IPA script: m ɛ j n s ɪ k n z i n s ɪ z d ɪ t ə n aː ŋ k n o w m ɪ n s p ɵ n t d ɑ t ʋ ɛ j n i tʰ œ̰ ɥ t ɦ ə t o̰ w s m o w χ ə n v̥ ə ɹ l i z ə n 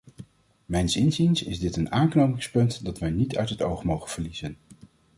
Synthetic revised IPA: m ɛ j n s ɪ n z i n s ɪ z d ɪ t ə n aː ŋ k n o w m ɪ ŋ s p ɵ n t d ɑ t ʋ ɛ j n i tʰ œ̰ ɥ t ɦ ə t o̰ w χ m o w χ ə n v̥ ə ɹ l i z ə n